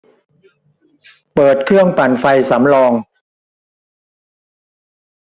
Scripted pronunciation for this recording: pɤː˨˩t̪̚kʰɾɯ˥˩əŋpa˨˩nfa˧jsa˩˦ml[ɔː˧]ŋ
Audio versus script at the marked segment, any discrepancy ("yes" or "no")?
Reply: no